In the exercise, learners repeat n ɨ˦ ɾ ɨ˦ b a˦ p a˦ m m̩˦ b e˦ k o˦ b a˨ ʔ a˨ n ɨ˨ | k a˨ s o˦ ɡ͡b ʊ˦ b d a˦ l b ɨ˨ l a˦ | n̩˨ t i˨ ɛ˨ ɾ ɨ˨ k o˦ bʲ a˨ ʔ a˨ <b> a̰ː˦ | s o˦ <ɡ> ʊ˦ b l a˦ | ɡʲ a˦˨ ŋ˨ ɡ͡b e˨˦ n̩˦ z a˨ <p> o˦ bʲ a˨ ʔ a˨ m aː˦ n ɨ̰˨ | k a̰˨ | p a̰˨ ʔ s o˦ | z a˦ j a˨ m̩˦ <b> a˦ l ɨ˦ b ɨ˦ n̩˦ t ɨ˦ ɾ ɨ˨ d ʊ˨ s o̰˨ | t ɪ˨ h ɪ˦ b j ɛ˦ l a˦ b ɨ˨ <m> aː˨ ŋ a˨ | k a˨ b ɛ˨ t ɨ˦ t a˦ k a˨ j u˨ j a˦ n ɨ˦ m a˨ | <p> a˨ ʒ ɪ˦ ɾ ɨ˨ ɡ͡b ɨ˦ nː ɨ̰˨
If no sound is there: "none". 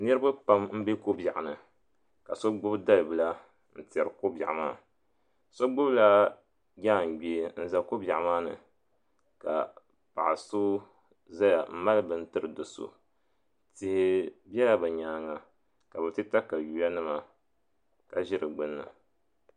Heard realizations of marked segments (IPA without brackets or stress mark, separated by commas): m, ɡ͡b, k, m, ɲ, k